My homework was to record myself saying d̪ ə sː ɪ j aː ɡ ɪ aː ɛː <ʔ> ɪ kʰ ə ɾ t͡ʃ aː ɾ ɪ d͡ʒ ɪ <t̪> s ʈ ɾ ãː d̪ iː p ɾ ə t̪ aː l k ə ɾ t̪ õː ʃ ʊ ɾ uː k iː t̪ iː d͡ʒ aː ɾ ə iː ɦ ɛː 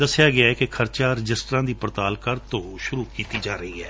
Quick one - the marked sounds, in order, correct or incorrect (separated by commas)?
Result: incorrect, incorrect